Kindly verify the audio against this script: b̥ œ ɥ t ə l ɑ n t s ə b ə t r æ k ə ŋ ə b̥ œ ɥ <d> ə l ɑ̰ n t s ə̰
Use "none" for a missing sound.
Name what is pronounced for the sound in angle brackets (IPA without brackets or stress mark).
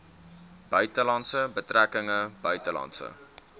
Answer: t